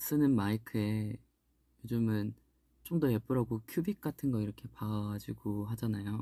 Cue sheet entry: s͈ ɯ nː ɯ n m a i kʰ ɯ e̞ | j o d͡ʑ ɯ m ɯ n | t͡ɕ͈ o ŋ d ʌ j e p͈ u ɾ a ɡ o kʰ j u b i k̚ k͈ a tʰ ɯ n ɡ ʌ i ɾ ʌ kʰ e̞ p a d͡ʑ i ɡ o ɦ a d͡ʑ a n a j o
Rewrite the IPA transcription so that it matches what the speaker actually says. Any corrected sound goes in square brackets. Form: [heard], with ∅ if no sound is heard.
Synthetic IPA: s͈ ɯ [n] ɯ n m a i kʰ ɯ e̞ | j o d͡ʑ ɯ m ɯ n | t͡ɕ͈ o ŋ d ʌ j e p͈ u ɾ a ɡ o kʰ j u b i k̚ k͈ a tʰ ɯ n ɡ ʌ i ɾ ʌ kʰ e̞ p a d͡ʑ i ɡ o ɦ a d͡ʑ a n a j o

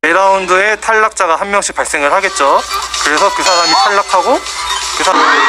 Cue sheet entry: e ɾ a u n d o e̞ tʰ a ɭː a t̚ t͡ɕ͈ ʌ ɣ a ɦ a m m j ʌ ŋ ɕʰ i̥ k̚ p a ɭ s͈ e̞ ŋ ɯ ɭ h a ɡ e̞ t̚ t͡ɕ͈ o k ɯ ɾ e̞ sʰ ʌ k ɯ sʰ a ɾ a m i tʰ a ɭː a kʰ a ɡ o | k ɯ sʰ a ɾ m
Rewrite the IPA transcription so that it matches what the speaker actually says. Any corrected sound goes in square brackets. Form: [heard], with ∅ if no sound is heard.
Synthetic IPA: e ɾ a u n d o e̞ tʰ a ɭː a [k̚] t͡ɕ͈ [a] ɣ a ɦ a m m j ʌ ŋ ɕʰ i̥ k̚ p a ɭ s͈ e̞ ŋ ɯ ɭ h a ɡ e̞ t̚ t͡ɕ͈ o k ɯ ɾ e̞ sʰ ʌ k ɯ sʰ a ɾ a m i tʰ a ɭː a kʰ a ɡ o | k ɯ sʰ a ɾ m

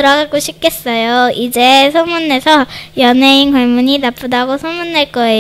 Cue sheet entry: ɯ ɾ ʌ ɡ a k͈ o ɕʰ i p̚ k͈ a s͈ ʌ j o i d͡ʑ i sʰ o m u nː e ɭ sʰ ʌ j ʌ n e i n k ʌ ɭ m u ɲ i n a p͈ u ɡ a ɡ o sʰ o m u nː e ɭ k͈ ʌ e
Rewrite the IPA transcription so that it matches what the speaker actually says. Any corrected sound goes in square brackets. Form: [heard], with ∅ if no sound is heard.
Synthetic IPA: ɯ ɾ ʌ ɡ a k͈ o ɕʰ i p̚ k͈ [e] s͈ ʌ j o i d͡ʑ [e] sʰ o m u nː e [∅] sʰ ʌ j ʌ n e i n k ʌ ɭ m u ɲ i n a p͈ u [d] a ɡ o sʰ o m u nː e ɭ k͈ ʌ e

